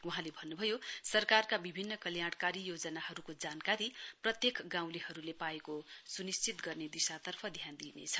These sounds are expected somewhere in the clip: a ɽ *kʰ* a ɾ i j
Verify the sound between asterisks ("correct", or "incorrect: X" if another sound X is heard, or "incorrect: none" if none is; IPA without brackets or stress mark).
incorrect: k